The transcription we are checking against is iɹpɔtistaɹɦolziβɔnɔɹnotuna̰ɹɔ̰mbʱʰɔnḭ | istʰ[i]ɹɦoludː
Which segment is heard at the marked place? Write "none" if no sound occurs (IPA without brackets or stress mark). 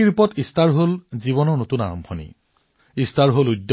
a